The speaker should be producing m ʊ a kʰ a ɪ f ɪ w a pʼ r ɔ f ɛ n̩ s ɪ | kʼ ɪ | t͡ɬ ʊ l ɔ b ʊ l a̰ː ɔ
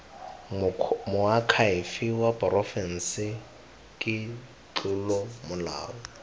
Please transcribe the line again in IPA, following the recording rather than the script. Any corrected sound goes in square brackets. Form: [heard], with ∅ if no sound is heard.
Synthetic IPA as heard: m ʊ a kʰ a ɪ f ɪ w a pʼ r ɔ f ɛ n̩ s ɪ | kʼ ɪ | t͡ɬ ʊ l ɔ [m] ʊ l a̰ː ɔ